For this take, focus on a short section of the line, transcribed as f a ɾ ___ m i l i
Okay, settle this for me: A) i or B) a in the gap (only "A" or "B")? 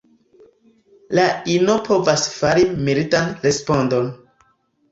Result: A